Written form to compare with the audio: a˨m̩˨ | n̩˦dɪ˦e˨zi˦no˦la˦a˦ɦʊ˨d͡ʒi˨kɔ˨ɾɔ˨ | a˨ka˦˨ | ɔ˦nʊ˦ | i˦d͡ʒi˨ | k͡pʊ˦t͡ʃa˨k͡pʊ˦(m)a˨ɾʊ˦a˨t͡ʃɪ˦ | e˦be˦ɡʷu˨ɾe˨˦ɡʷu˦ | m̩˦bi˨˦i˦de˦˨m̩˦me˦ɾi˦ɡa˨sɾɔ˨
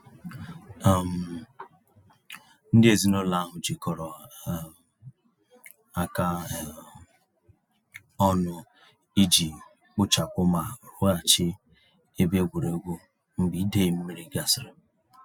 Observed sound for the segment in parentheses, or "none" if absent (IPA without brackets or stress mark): m